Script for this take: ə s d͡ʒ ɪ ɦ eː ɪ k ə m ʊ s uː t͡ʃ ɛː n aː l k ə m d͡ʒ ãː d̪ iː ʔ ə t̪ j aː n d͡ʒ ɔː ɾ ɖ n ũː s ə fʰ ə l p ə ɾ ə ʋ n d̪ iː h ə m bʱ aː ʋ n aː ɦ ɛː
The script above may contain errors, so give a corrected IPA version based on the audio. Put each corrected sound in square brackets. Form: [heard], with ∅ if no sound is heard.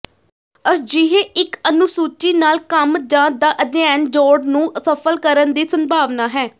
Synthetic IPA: ə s d͡ʒ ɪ ɦ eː ɪ k ə [n] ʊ s uː t͡ʃ [iː] n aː l k ə m d͡ʒ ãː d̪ [aː] ʔ ə [d̪] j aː n d͡ʒ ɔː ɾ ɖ n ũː s ə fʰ ə l [k] ə ɾ ə [∅] n d̪ iː [s] ə m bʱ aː ʋ n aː ɦ ɛː